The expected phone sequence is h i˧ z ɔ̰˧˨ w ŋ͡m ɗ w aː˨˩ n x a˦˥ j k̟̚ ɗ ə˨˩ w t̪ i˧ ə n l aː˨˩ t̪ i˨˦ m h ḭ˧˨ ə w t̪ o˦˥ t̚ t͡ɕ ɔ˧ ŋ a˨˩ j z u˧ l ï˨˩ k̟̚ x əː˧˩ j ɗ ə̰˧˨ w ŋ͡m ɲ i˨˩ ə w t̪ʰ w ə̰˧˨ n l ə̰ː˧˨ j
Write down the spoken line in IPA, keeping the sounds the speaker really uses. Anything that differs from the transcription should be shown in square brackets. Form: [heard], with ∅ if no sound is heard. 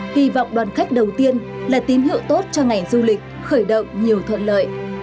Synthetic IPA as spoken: h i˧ [v] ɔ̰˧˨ w ŋ͡m ɗ w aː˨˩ n x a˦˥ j k̟̚ ɗ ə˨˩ w t̪ i˧ ə n l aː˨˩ t̪ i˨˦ m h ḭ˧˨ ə w t̪ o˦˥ t̚ t͡ɕ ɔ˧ ŋ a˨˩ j z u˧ l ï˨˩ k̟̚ x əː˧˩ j ɗ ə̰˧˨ w ŋ͡m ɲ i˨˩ ə w t̪ʰ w ə̰˧˨ n l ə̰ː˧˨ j